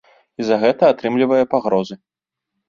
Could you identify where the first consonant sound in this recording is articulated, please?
alveolar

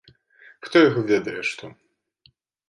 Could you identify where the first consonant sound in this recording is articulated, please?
velar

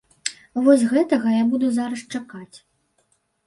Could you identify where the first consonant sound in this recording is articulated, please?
labial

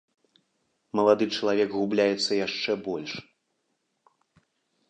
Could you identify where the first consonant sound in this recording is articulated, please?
labial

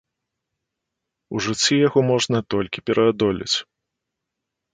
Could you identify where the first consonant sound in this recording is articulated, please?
retroflex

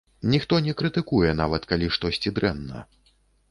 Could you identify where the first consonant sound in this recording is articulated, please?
alveolar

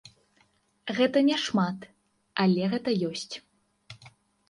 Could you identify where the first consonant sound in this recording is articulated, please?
velar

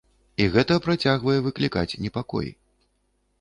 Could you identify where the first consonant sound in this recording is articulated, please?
velar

